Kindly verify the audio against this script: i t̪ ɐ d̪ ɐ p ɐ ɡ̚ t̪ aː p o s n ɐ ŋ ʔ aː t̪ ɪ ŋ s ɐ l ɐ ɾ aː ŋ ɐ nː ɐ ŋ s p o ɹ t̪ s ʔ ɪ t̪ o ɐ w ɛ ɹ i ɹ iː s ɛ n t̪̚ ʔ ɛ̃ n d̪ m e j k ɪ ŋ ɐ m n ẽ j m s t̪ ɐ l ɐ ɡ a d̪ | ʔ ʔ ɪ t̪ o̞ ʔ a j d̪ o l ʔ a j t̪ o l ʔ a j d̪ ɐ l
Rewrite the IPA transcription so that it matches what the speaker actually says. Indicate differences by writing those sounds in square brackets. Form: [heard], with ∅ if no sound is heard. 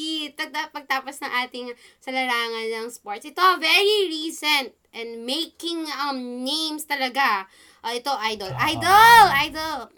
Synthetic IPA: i t̪ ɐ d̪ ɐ p ɐ ɡ̚ t̪ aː p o s n ɐ ŋ ʔ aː t̪ ɪ ŋ s ɐ l ɐ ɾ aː ŋ ɐ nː ɐ ŋ s p o ɹ t̪ s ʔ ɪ t̪ o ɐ [v] ɛ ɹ i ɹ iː s ɛ n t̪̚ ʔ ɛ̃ n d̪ m e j k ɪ ŋ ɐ m n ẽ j m s t̪ ɐ l ɐ ɡ a [∅] | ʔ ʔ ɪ t̪ o̞ ʔ a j d̪ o l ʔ a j [d̪] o l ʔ a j d̪ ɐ l